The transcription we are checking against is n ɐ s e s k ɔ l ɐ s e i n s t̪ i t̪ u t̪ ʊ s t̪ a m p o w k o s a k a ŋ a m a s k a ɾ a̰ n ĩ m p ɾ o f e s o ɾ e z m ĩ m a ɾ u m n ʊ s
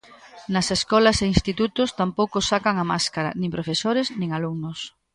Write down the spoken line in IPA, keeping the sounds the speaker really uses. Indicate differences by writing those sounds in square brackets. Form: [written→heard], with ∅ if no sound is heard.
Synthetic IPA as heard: n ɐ s e s k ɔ l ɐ s e i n s t̪ i t̪ u t̪ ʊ s t̪ a m p o w k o s a k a ŋ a m a s k a ɾ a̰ n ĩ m p ɾ o f e s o ɾ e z [m→n] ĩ [m→ŋ] a [ɾ→l] u [m→ŋ] n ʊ s